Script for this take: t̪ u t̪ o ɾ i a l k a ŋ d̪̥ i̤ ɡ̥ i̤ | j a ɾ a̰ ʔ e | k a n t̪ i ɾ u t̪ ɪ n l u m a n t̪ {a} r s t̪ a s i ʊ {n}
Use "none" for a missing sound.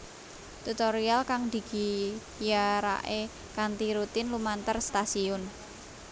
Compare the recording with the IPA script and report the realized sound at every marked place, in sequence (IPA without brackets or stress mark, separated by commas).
ə, n